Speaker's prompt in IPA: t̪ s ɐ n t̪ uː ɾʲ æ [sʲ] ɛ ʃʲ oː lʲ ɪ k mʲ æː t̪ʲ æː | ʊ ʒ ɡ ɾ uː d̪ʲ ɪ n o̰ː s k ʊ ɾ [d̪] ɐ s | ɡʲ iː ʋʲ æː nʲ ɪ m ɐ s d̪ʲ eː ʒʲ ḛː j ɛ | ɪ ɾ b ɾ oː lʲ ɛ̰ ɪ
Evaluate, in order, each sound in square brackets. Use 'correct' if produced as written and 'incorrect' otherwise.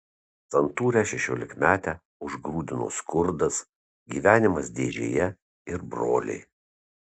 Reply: incorrect, correct

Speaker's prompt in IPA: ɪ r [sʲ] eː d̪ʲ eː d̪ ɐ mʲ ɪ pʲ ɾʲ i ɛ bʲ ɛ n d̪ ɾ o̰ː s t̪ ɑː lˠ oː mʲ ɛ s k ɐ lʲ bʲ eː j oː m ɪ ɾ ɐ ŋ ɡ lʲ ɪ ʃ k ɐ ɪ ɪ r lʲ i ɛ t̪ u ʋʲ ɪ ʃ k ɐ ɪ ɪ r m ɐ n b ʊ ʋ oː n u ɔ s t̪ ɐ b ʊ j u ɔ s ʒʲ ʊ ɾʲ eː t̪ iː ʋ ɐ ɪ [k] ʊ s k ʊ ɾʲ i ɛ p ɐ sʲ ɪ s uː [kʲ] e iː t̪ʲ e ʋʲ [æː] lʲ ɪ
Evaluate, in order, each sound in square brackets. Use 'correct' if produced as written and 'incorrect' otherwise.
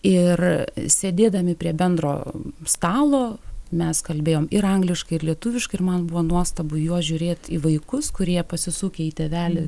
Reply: correct, correct, correct, correct

